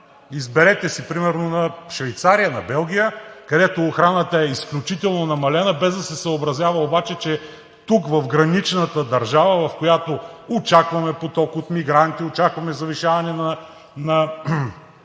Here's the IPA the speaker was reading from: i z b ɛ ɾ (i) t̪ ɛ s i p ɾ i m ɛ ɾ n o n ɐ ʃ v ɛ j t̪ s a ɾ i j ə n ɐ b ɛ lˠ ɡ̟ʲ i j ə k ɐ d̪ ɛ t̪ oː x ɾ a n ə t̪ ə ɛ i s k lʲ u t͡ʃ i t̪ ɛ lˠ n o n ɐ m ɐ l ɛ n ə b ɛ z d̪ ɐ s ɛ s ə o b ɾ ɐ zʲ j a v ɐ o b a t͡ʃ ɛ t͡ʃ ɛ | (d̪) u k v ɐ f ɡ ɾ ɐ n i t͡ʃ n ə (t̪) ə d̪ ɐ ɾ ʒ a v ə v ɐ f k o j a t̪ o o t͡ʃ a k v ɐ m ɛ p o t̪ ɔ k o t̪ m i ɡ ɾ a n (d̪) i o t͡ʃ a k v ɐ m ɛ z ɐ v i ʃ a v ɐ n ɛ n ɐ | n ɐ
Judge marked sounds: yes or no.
no, no, yes, no

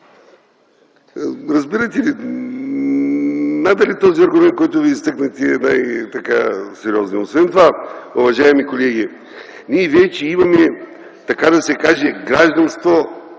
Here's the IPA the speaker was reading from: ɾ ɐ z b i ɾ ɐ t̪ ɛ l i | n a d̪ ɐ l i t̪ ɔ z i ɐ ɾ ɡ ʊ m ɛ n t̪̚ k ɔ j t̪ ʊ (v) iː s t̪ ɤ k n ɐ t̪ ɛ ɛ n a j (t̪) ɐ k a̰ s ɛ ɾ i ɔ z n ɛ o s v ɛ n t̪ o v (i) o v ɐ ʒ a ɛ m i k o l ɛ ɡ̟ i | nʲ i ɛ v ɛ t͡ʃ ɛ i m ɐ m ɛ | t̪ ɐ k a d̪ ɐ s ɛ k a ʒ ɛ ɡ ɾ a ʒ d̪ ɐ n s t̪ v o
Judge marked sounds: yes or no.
yes, yes, no

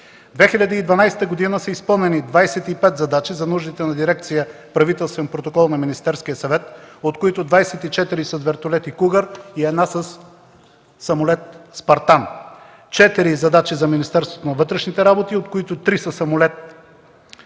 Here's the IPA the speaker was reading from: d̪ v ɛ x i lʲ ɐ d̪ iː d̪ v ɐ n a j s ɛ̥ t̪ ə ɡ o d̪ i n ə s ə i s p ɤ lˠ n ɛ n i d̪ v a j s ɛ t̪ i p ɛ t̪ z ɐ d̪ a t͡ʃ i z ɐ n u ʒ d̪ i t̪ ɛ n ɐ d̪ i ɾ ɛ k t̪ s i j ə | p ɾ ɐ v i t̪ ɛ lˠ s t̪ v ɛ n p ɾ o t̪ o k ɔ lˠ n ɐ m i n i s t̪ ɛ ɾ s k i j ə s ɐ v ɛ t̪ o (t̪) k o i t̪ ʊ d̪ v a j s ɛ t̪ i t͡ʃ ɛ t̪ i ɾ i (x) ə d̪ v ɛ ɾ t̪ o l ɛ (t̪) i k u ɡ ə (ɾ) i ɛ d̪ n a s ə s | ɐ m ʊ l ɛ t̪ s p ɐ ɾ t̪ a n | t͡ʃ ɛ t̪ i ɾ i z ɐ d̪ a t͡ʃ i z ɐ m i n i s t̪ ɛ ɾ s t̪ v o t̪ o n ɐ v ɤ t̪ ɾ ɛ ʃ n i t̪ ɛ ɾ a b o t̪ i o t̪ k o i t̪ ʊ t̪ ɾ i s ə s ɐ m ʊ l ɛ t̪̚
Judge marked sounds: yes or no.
yes, no, yes, yes

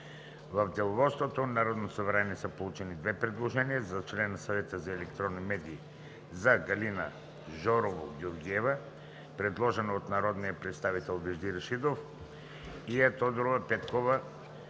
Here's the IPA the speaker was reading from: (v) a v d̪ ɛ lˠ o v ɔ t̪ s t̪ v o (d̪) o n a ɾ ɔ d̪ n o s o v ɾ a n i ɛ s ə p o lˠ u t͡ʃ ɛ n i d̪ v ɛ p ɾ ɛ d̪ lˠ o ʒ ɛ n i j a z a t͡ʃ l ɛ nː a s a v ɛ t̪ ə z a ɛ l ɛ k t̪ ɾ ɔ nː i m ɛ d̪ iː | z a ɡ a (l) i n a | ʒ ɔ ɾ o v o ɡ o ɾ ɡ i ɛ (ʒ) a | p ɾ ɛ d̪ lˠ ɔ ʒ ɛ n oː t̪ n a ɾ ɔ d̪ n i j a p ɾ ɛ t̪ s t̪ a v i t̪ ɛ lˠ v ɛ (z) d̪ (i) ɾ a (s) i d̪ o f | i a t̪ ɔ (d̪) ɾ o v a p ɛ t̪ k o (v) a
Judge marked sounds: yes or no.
yes, no, yes, no, no, yes, no, yes, yes

